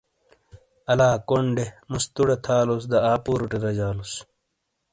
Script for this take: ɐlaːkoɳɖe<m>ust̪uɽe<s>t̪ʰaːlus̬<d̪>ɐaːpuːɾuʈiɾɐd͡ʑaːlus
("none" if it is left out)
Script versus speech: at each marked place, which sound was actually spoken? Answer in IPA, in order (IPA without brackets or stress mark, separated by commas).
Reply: m, none, d̪